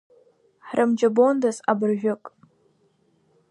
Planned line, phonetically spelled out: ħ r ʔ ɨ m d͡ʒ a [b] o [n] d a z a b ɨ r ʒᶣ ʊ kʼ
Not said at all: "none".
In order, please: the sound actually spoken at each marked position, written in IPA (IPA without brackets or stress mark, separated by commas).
b, n